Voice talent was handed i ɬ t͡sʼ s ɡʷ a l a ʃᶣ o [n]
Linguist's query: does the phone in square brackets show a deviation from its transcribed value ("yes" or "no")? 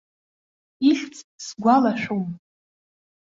yes